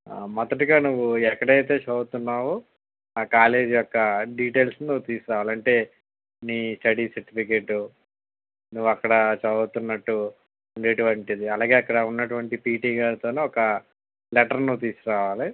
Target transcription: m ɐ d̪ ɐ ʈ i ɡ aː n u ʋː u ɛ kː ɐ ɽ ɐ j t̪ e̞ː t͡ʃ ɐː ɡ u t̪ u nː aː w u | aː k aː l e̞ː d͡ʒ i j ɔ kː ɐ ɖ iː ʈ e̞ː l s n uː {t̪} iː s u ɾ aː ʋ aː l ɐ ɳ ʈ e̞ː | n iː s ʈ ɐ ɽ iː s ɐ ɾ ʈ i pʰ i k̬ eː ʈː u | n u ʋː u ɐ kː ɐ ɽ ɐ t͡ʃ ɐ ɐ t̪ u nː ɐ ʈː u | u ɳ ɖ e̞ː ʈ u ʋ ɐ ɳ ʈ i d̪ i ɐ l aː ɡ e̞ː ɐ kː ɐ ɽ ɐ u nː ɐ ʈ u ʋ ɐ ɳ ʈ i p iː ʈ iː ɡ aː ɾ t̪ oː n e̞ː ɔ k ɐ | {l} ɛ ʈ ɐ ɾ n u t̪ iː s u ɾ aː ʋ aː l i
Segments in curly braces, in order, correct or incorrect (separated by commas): correct, correct